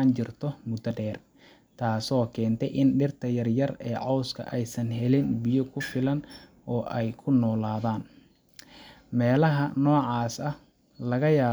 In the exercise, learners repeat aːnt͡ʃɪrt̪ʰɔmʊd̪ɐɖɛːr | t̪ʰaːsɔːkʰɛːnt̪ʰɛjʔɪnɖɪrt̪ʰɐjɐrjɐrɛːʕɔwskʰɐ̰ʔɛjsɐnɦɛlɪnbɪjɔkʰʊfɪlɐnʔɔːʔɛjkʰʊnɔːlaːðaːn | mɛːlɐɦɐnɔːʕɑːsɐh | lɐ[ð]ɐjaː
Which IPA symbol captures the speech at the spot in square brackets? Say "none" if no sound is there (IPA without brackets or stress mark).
ɣ